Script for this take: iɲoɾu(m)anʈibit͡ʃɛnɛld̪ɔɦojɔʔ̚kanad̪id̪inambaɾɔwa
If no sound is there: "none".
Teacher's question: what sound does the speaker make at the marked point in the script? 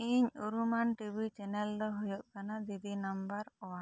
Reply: m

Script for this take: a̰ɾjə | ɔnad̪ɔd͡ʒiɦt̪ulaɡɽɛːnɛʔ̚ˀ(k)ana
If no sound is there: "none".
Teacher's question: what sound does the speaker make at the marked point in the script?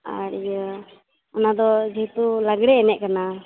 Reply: k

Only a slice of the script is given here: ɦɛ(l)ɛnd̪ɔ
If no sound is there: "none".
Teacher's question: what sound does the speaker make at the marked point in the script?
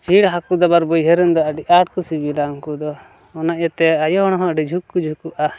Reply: ɾ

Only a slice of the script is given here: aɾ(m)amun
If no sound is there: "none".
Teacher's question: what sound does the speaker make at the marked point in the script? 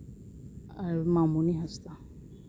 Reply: m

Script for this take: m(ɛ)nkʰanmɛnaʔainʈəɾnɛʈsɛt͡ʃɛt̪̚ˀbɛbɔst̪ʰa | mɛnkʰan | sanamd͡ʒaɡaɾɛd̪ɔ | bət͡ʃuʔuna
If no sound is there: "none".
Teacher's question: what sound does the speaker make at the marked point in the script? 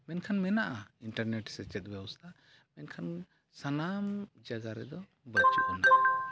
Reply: ɛ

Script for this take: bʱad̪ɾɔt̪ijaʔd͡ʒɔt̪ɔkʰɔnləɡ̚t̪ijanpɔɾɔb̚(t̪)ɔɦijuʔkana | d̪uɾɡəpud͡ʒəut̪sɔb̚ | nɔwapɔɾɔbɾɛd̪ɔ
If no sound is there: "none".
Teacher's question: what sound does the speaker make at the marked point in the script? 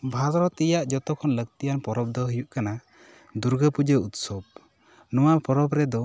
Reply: d̪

